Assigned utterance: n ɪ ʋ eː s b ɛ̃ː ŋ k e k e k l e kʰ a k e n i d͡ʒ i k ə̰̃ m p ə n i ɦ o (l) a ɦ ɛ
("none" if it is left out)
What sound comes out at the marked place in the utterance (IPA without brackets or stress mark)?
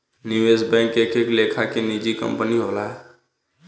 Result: l